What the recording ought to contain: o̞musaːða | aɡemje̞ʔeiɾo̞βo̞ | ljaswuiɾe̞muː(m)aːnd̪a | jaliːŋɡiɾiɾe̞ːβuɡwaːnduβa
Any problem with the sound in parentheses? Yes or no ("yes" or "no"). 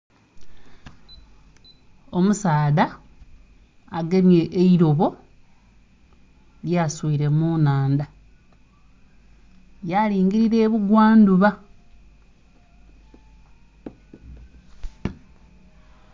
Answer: yes